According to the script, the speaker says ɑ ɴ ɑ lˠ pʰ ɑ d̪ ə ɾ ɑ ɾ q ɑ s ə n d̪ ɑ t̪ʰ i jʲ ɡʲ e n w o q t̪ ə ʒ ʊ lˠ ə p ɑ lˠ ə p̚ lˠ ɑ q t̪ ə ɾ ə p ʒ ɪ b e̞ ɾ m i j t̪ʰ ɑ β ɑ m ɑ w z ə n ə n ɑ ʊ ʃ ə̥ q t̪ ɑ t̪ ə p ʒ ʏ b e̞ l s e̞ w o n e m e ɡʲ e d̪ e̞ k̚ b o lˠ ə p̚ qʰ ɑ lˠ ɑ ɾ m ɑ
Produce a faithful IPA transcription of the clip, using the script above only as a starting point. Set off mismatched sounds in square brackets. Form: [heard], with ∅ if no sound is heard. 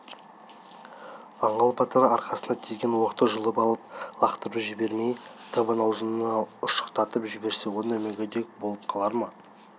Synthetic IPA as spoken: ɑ ɴ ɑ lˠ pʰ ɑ [t̪] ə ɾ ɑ ɾ q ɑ s ə n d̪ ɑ t̪ʰ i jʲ ɡʲ e n w o q t̪ ə ʒ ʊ lˠ ə p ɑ lˠ ə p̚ lˠ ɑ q t̪ ə ɾ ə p ʒ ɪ b e̞ ɾ m [e] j t̪ʰ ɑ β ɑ [n] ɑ w z ə n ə n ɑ ʊ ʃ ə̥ q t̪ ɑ t̪ ə p ʒ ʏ b e̞ [ɾ] s e̞ w o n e m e ɡʲ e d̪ e̞ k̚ b o lˠ ə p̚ qʰ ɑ lˠ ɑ ɾ m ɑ